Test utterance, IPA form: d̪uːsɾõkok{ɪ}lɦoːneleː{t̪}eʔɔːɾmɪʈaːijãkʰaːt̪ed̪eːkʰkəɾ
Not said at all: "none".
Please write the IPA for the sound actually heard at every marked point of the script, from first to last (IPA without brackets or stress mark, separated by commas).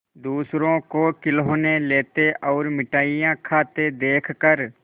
ɪ, t̪